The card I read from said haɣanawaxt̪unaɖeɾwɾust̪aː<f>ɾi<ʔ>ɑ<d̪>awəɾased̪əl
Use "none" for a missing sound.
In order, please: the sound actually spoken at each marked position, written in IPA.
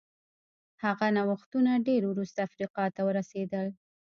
f, q, t̪

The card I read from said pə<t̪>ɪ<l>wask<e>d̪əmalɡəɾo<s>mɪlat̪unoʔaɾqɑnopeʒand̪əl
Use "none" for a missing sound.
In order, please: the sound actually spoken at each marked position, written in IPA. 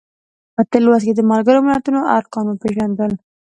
t̪, l, e, none

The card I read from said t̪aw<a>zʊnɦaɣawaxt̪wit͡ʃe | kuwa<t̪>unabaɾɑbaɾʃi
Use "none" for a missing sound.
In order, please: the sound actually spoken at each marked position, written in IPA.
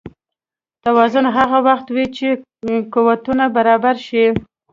ɑ, t̪

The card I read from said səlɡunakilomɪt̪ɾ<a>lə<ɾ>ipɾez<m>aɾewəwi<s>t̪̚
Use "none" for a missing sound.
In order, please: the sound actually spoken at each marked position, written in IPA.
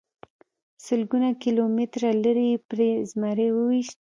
a, ɾ, m, ʃ

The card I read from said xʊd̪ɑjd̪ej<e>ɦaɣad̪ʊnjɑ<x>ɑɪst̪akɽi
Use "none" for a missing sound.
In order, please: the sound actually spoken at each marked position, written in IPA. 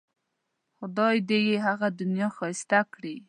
e, x

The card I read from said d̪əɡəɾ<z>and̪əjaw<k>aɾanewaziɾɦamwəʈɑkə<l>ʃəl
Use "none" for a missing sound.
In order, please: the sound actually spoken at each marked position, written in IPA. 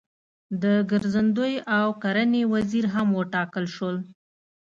z, k, l

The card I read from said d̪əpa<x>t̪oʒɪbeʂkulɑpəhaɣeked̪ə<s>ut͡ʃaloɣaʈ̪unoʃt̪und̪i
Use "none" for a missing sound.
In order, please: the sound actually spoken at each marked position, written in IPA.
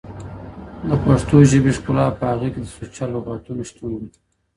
ʂ, s

